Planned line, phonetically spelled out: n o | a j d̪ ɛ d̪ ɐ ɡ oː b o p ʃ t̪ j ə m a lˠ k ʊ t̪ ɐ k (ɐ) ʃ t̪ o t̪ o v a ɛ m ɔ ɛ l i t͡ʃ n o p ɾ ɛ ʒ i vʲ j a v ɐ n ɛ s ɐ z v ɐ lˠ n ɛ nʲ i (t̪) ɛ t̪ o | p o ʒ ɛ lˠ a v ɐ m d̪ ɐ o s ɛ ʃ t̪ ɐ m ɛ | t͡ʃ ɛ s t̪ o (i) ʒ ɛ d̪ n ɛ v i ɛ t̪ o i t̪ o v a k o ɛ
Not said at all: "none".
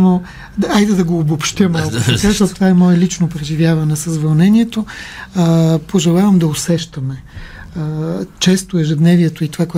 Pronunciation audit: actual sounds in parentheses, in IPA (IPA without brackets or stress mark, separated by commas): a, none, ɛ